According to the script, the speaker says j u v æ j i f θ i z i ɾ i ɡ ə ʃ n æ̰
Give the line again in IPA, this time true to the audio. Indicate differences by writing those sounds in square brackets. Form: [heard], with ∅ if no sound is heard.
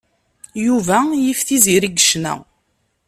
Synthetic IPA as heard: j u v æ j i f θ i z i ɾ i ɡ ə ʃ n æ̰